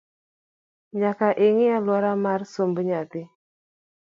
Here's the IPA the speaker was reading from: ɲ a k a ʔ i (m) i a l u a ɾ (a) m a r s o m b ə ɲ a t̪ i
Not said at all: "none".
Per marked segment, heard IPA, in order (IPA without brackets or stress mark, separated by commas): ŋ, a